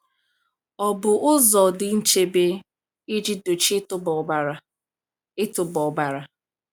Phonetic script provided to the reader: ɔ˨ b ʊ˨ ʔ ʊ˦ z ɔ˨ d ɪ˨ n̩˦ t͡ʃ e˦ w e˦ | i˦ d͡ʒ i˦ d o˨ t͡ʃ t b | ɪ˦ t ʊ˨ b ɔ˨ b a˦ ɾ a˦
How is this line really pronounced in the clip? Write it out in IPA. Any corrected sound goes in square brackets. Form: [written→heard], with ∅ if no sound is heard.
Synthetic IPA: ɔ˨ b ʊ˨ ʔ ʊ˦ z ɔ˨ d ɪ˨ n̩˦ t͡ʃ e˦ [w→b] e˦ | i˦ d͡ʒ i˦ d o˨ t͡ʃ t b | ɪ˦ t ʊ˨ b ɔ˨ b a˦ ɾ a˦